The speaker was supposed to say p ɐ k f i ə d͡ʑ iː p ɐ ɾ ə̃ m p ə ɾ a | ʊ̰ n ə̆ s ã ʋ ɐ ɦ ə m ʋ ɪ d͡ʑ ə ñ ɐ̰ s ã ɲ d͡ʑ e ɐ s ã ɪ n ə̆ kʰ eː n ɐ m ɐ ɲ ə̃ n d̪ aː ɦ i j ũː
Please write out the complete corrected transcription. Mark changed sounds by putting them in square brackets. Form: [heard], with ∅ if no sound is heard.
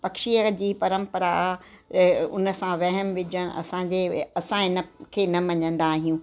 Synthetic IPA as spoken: p ɐ k [ʃ] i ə d͡ʑ iː p ɐ ɾ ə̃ m p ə ɾ a | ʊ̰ n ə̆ s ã ʋ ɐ ɦ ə m ʋ ɪ d͡ʑ ə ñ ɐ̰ s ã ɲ d͡ʑ e ɐ s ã ɪ n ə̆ kʰ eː n ɐ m ɐ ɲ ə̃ n d̪ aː ɦ i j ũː